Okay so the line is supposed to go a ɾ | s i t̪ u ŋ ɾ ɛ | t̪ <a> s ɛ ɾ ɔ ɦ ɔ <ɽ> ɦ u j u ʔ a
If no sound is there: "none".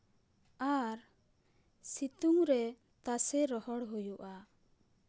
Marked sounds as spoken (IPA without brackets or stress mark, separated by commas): a, ɽ